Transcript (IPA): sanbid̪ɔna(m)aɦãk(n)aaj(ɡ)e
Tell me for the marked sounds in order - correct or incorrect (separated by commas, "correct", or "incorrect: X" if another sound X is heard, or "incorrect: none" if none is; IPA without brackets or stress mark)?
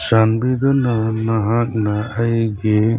incorrect: n, correct, correct